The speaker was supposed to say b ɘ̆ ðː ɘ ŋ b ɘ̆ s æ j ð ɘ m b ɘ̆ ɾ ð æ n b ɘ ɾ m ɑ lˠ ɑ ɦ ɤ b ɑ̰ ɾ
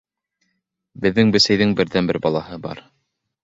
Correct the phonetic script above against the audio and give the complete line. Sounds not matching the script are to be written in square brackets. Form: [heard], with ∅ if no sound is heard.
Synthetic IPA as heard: b ɘ̆ ðː ɘ ŋ b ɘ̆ s æ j ð ɘ [ŋ] b ɘ̆ ɾ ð æ n b ɘ ɾ [b] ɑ lˠ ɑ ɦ ɤ b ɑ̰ ɾ